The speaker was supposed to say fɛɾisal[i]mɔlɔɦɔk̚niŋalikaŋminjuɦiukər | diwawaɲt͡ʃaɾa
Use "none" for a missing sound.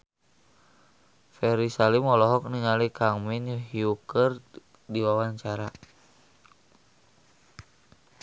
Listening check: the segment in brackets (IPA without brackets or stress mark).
i